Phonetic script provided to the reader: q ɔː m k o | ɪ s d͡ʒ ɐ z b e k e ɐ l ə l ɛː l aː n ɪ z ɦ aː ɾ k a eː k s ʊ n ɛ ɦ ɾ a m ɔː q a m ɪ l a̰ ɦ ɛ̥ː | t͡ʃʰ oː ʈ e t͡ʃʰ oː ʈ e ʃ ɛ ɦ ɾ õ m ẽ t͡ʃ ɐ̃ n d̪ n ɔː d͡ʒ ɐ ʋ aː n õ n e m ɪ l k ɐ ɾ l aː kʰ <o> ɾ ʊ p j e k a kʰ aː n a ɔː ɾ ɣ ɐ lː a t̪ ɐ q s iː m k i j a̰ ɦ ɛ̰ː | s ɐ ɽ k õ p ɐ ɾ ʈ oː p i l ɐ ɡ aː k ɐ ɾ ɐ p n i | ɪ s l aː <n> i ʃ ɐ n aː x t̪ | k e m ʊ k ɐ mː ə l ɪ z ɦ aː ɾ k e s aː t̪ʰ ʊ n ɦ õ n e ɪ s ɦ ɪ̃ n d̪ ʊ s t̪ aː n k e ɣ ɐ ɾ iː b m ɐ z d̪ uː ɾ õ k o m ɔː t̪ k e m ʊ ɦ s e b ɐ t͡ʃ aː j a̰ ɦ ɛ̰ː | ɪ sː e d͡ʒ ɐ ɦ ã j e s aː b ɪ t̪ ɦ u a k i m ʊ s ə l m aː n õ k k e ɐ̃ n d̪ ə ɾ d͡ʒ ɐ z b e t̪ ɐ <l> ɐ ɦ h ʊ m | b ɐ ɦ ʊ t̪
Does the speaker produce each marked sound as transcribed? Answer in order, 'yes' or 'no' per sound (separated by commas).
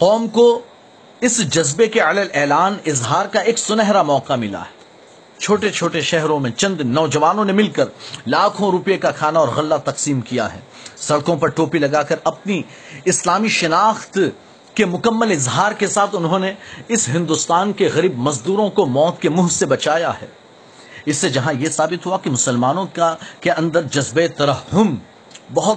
no, no, no